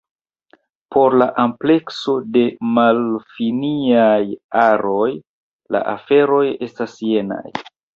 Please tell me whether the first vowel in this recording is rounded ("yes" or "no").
yes